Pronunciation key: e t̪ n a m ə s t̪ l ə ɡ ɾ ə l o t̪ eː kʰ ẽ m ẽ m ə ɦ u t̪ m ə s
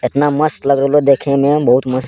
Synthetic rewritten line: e t̪ n a m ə s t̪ l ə ɡ ɾ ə l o d̪ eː kʰ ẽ m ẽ b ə ɦ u t̪ m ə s